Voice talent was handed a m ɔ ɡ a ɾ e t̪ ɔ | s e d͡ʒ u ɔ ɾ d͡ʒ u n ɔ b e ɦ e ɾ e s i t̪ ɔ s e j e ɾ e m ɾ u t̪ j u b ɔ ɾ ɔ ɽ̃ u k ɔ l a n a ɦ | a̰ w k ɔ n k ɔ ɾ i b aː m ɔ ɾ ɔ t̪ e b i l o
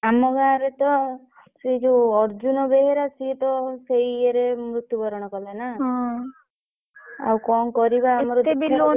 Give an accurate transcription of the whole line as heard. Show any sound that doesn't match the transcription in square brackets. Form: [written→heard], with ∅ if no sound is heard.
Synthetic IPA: a m ɔ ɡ a ɾ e t̪ ɔ | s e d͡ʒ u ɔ ɾ d͡ʒ u n ɔ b e ɦ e ɾ [e→a] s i t̪ ɔ s e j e ɾ e m ɾ u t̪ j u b ɔ ɾ ɔ ɽ̃ [u→ɔ] k ɔ l a n a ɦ | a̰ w k ɔ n k ɔ ɾ i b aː m ɔ ɾ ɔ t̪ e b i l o